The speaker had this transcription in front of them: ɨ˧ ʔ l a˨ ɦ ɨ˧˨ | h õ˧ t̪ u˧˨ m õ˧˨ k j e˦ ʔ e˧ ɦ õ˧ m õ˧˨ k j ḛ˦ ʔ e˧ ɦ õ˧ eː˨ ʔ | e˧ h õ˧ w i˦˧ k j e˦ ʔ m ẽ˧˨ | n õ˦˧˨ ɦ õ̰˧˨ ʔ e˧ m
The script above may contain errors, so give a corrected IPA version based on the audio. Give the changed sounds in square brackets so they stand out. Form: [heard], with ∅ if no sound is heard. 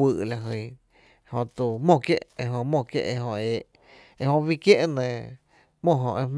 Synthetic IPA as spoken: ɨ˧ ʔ l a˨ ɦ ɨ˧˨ | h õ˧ t̪ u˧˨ m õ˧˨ k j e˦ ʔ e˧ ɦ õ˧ m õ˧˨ k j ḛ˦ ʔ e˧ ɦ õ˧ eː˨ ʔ | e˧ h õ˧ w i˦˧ k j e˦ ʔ [n] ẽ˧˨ | [m] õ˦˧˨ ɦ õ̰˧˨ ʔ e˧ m